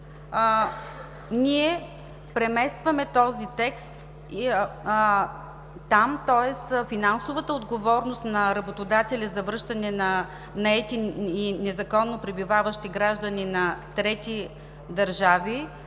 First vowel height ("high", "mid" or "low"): high